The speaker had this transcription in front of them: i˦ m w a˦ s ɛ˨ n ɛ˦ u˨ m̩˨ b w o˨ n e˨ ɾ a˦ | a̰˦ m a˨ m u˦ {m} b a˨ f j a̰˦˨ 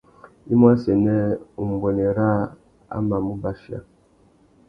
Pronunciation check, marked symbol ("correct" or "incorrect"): incorrect